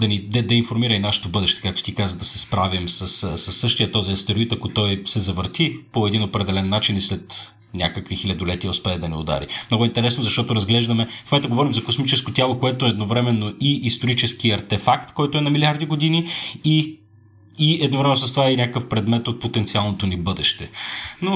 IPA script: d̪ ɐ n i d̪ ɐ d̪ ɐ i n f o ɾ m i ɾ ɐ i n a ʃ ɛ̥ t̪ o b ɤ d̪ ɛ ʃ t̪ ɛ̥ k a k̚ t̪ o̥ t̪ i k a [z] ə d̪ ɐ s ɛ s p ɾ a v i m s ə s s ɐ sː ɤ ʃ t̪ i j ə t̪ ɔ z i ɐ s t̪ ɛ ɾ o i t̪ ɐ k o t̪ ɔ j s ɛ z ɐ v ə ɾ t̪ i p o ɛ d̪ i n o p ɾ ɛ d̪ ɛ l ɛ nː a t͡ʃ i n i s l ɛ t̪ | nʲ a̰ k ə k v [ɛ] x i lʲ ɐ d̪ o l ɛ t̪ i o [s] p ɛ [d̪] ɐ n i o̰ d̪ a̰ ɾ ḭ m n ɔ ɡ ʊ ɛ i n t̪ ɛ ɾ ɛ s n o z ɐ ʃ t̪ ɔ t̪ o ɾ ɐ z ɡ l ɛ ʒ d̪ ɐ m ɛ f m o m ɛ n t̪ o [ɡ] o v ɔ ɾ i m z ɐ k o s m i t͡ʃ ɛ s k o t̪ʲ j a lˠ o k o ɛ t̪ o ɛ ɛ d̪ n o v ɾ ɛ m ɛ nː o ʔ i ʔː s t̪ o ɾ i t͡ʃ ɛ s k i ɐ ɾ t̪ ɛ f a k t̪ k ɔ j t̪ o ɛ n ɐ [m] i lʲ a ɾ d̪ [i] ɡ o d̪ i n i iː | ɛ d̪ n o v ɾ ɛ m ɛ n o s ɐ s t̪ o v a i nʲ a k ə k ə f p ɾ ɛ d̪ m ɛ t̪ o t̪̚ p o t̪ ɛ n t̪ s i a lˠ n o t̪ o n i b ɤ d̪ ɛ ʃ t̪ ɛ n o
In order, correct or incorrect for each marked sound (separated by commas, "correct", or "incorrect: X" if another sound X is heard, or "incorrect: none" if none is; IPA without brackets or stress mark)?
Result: correct, incorrect: i, correct, correct, correct, correct, correct